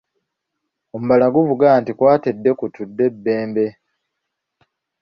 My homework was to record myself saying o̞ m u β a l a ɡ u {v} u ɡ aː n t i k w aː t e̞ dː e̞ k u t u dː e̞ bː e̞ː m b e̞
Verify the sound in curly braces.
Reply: correct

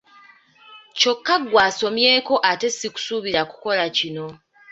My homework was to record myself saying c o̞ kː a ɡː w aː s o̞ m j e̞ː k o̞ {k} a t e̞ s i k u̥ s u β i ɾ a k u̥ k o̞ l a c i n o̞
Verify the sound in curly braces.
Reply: incorrect: ʔ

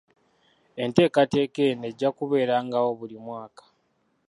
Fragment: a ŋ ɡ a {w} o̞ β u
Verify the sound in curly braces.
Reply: correct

